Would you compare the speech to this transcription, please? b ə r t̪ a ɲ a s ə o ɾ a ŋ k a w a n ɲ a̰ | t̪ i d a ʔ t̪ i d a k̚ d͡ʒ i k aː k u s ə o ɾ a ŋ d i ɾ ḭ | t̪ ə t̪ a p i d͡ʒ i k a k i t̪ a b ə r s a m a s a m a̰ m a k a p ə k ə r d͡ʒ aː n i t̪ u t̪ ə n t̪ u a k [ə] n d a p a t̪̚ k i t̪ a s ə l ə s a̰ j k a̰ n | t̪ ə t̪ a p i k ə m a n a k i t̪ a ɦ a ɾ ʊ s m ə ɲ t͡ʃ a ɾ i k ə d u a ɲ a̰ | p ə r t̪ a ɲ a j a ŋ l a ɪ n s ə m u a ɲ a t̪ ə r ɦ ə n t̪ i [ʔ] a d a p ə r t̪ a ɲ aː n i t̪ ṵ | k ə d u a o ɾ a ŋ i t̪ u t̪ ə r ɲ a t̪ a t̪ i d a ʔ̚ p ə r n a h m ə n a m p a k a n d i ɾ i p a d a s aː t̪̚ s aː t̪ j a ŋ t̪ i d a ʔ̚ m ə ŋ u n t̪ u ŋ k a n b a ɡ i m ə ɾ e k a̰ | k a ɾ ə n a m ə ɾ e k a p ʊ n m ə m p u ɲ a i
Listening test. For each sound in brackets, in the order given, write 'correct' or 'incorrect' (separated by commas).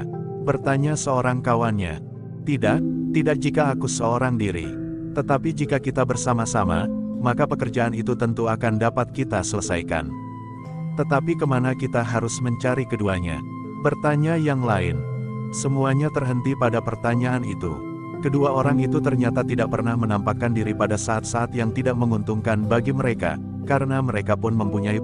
incorrect, incorrect